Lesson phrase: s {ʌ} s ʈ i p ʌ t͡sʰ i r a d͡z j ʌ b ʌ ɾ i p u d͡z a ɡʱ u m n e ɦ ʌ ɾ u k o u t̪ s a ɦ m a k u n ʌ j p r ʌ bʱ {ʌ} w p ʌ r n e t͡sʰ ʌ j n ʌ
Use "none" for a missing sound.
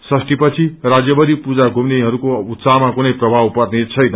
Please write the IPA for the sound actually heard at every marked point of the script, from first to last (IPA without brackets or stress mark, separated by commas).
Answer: ʌ, a